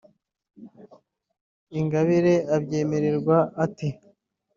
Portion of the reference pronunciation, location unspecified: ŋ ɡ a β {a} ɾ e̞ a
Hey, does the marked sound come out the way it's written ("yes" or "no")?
no